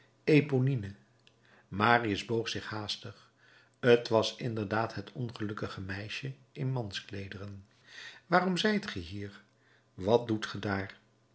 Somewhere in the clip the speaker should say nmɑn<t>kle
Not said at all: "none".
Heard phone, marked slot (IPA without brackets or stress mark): s